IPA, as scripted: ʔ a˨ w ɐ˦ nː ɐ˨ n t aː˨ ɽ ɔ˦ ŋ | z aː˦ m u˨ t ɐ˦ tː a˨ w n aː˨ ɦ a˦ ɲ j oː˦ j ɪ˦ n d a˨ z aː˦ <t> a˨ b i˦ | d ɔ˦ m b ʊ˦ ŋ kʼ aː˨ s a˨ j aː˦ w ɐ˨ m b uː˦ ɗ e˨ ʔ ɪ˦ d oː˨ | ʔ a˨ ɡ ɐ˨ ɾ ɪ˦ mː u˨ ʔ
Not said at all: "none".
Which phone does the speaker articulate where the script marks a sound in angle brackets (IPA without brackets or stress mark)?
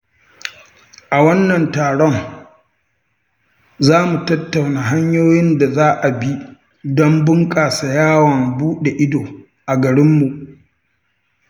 ʔ